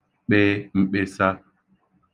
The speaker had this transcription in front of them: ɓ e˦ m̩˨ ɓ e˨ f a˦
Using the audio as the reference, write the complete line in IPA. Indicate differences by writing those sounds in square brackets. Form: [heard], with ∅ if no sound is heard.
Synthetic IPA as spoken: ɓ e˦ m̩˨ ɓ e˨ [s] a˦

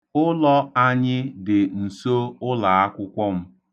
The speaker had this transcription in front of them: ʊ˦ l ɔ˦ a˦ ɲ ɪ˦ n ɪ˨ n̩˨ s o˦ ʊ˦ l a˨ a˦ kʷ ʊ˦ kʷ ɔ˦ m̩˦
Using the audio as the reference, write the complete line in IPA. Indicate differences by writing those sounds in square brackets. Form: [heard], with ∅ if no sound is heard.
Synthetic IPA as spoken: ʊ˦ l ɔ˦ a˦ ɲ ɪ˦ [d] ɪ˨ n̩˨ s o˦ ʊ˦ l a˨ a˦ kʷ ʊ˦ kʷ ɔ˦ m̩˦

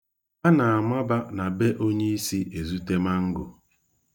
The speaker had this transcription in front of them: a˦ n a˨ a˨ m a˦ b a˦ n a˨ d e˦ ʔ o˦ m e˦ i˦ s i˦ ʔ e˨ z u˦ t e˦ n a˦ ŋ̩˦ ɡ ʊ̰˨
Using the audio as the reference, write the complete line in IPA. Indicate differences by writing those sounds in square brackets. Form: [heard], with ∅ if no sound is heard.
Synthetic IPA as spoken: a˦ n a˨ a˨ m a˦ b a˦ n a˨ [b] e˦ ʔ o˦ [ɲ] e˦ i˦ s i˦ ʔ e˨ z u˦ t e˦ [m] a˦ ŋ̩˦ ɡ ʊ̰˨

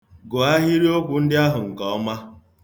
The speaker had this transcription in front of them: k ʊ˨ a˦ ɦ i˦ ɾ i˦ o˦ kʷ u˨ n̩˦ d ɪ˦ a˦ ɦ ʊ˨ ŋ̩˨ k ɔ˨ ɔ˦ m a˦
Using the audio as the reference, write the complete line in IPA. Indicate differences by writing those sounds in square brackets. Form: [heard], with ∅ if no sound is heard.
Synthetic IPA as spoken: [ɡ] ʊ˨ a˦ ɦ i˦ ɾ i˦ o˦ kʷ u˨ n̩˦ d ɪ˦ a˦ ɦ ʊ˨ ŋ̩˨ k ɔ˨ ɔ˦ m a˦

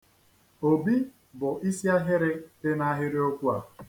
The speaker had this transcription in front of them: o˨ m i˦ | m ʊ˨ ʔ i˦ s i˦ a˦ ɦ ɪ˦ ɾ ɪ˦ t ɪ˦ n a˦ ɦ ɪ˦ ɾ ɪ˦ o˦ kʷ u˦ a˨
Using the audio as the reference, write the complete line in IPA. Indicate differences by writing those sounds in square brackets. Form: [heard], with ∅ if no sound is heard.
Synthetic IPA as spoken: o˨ [b] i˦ | [b] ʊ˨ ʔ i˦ s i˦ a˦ ɦ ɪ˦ ɾ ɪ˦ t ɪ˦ n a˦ ɦ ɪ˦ ɾ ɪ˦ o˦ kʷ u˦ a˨

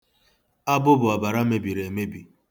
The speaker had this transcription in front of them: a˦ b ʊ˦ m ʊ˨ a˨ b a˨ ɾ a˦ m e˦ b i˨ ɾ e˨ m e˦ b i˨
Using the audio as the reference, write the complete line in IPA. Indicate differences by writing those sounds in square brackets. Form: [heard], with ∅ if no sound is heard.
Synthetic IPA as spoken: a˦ b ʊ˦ [b] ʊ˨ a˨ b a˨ ɾ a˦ m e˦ b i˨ ɾ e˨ m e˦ b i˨

